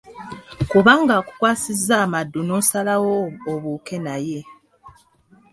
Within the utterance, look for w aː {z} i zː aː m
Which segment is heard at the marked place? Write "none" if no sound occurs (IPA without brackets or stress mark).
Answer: s